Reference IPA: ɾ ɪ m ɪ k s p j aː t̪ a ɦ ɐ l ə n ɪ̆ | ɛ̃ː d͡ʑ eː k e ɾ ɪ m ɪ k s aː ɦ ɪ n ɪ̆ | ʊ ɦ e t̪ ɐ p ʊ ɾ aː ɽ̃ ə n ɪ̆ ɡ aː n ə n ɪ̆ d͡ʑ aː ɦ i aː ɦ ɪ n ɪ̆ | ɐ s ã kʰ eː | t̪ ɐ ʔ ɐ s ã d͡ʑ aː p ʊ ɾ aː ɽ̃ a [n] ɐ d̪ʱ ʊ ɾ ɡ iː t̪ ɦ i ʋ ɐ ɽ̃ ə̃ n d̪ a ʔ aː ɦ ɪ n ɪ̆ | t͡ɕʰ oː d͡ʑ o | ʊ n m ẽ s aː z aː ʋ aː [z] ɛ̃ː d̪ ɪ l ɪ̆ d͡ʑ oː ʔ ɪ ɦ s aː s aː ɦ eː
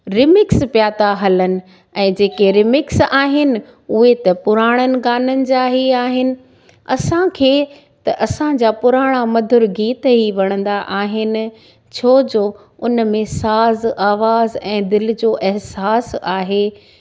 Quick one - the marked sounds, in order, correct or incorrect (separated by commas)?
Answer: incorrect, correct